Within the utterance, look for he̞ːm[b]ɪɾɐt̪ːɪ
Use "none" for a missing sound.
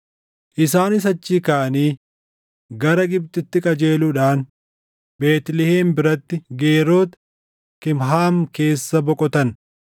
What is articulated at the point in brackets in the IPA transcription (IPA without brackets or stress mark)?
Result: b